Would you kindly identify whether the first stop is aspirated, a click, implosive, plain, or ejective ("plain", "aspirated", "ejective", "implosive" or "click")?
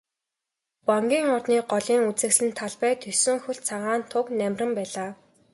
plain